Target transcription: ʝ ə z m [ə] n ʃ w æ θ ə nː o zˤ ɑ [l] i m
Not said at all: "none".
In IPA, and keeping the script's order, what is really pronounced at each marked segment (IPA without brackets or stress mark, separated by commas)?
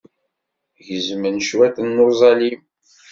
ə, l